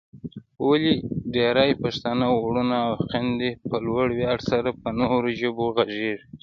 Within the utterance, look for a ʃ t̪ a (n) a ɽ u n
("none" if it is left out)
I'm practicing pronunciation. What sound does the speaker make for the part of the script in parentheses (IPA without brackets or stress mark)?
n